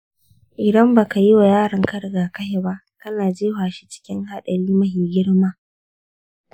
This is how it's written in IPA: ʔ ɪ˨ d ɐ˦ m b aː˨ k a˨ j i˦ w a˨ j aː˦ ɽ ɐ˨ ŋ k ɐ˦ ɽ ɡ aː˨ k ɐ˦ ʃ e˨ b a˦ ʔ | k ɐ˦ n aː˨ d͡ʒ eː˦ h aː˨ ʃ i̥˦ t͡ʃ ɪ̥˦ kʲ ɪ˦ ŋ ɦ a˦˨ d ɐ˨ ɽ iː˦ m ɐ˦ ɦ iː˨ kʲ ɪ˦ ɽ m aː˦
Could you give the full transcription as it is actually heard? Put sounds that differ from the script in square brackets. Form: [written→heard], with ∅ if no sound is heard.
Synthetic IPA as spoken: ʔ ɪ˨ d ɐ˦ m b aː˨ k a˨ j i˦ w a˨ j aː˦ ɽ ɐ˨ ŋ k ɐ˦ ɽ ɡ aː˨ k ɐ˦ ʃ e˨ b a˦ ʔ | k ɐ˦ n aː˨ d͡ʒ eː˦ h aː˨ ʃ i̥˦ t͡ʃ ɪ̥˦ kʲ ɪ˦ ŋ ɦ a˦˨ [d→ɗ] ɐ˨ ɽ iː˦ m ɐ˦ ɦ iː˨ [kʲ→ɡʲ] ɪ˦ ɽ m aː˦